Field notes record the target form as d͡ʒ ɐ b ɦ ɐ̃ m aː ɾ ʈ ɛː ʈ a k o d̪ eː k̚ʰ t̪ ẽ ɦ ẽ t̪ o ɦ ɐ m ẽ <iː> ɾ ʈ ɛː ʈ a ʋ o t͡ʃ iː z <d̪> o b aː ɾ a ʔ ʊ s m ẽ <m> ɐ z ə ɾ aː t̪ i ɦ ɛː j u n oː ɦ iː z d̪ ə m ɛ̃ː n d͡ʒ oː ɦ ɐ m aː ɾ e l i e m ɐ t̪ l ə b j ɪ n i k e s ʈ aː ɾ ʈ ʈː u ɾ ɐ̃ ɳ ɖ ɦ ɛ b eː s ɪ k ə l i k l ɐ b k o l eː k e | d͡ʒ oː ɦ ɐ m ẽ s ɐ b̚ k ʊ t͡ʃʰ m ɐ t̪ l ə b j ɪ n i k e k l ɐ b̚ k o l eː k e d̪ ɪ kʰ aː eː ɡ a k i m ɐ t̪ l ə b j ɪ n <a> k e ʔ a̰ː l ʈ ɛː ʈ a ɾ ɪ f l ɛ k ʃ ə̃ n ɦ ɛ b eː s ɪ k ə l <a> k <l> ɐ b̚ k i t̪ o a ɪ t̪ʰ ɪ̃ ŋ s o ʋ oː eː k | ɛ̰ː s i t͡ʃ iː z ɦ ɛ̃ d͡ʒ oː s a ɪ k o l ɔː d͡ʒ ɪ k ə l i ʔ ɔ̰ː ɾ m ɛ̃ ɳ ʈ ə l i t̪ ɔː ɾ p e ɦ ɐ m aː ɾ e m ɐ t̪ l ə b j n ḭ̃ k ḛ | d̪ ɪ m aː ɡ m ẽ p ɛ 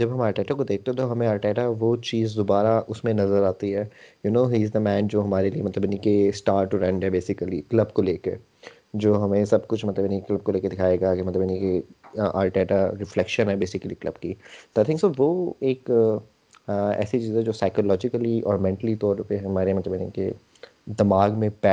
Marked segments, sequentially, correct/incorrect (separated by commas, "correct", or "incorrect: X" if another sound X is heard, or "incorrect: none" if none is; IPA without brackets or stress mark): incorrect: aː, correct, incorrect: n, incorrect: i, incorrect: i, correct